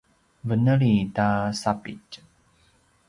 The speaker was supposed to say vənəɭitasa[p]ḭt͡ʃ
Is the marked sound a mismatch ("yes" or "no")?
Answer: no